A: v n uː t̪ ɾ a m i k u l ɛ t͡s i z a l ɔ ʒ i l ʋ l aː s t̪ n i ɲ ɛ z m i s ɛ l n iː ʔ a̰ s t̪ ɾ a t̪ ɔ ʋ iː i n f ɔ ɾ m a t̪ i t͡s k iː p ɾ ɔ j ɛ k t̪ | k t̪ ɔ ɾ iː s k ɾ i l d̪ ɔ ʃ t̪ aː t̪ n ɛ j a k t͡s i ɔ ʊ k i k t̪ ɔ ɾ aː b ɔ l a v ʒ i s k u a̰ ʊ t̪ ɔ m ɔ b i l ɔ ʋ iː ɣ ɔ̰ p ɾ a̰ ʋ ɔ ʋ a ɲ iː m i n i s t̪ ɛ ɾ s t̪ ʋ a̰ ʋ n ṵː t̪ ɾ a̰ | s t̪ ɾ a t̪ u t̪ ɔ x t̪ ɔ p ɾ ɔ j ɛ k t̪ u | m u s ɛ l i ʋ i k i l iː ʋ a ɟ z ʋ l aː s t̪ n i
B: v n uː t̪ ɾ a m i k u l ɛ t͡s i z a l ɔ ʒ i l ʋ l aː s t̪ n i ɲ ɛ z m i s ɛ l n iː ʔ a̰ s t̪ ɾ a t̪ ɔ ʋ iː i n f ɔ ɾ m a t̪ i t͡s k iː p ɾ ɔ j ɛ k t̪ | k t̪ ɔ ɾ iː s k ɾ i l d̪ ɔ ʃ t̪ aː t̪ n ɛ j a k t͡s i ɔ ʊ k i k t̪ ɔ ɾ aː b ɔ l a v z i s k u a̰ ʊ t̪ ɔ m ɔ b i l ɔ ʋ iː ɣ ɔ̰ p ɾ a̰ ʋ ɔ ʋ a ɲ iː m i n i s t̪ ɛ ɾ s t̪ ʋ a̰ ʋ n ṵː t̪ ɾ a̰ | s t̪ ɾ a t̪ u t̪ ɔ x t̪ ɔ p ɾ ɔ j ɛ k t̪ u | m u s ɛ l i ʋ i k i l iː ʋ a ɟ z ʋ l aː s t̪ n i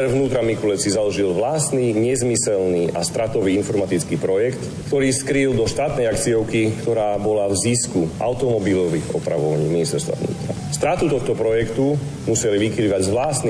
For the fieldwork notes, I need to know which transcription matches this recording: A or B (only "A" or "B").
B